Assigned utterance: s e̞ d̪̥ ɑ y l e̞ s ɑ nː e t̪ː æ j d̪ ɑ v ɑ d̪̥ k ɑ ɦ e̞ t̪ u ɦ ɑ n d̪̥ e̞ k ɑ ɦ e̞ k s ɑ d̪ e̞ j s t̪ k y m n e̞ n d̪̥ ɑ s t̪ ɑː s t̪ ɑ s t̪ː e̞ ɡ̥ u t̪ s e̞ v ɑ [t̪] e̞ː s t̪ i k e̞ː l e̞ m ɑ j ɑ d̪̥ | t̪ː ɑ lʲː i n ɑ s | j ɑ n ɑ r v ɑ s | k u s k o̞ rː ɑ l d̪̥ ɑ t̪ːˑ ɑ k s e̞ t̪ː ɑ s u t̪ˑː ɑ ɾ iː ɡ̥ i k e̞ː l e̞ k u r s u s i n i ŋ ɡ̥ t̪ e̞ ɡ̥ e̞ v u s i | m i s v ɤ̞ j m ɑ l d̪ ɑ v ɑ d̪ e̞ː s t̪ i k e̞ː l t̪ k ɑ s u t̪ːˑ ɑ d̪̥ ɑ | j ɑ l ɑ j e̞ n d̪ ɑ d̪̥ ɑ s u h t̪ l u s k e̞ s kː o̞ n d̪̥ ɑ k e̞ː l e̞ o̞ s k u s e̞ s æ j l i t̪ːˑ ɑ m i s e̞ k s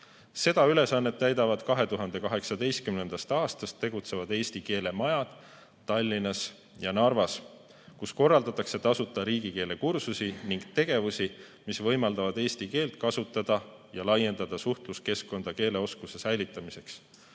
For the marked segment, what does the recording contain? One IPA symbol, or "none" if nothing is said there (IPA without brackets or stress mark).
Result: d̪